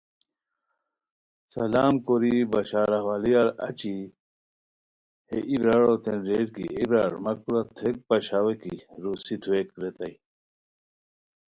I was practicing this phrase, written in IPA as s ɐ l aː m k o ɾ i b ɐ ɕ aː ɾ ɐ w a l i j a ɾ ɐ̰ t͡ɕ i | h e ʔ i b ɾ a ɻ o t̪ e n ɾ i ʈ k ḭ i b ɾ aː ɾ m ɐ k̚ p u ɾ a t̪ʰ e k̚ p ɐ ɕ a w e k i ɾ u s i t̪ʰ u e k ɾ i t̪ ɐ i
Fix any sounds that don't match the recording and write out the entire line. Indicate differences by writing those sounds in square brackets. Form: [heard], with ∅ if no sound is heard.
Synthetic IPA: s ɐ l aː m k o ɾ i b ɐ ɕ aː ɾ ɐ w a l i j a ɾ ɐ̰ t͡ɕ i | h e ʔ i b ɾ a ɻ o t̪ e n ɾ [e] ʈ k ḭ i b ɾ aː ɾ m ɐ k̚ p u ɾ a t̪ʰ e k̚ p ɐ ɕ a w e k i ɾ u s i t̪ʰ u e k ɾ [e] t̪ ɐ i